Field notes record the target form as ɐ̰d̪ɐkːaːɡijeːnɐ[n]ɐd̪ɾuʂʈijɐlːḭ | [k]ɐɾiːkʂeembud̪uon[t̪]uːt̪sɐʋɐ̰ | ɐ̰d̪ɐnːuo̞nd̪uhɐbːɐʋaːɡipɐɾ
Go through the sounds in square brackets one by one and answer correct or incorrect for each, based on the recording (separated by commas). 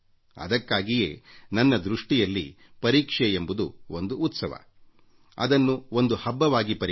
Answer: incorrect, incorrect, incorrect